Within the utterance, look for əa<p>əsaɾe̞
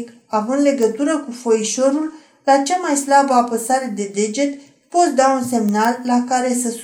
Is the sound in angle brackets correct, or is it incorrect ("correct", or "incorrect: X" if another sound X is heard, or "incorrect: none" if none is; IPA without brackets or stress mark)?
correct